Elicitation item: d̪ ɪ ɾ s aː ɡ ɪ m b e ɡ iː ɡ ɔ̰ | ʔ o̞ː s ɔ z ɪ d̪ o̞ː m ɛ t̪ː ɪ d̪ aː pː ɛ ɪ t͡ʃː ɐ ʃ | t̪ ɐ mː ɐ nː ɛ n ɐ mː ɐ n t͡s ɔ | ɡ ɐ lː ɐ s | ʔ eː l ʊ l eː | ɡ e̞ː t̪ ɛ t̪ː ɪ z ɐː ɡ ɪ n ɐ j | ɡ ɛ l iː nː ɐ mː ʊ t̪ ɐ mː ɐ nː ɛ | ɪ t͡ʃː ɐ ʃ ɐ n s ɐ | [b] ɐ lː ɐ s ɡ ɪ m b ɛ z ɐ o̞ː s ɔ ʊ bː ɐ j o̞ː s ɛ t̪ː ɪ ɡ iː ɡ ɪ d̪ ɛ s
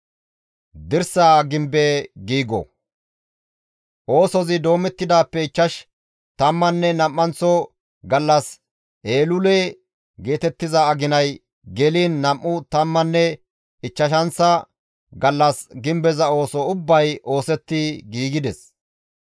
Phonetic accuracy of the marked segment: incorrect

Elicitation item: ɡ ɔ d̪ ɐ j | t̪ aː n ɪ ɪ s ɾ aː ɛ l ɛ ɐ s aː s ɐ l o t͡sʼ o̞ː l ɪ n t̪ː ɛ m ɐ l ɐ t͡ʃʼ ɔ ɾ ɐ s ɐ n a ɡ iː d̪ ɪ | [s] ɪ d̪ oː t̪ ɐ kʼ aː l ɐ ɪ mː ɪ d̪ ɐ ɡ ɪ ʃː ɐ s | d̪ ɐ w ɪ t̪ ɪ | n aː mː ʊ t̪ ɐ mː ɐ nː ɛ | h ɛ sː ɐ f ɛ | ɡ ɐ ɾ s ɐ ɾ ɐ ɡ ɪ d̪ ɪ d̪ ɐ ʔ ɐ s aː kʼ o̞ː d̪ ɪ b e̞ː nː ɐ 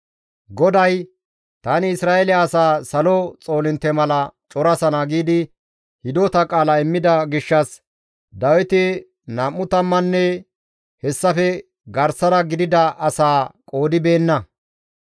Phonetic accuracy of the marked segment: incorrect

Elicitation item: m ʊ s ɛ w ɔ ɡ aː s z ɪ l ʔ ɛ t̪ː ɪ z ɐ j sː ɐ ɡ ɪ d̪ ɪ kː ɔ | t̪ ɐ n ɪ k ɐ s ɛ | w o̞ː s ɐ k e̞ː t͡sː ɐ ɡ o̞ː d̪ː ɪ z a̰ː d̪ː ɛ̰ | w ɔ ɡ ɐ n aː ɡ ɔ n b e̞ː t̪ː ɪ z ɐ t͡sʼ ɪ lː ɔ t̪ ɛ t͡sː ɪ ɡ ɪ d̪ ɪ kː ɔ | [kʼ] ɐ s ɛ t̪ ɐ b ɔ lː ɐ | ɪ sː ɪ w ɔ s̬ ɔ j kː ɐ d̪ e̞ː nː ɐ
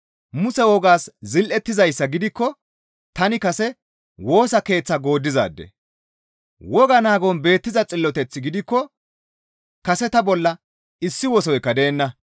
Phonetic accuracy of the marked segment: incorrect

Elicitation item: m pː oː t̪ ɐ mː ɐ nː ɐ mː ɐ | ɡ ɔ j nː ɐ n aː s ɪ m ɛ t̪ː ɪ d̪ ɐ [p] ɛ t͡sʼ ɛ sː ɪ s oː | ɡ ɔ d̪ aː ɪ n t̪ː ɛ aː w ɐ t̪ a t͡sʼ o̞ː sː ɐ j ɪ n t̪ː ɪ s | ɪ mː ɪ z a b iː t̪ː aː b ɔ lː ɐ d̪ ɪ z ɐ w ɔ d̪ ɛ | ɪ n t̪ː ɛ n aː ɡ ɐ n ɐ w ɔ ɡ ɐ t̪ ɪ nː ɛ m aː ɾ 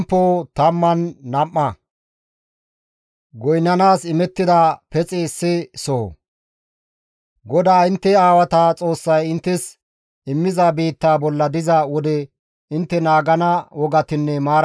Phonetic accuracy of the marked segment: correct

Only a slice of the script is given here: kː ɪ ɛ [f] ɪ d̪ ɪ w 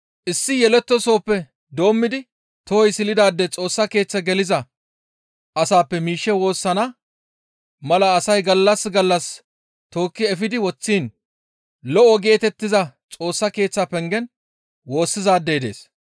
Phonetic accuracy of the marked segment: correct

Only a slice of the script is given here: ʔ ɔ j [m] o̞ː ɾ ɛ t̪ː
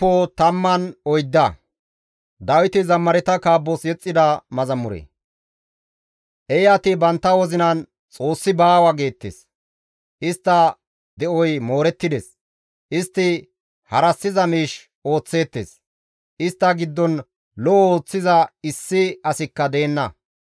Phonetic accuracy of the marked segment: correct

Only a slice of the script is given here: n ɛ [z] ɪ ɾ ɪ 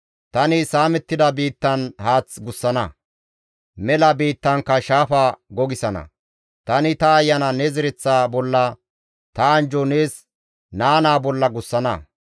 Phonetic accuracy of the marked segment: correct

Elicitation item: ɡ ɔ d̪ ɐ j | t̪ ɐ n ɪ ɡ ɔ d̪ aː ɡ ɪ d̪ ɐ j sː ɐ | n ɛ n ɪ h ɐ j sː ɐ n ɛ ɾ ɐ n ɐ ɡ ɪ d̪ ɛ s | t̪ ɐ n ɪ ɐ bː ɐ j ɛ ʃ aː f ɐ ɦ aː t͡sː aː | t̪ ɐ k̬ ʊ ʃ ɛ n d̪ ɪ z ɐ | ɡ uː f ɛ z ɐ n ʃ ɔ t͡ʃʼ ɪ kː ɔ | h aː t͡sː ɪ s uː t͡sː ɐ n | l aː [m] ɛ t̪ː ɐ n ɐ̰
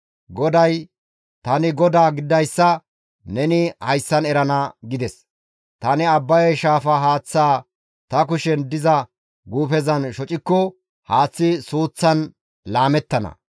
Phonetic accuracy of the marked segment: correct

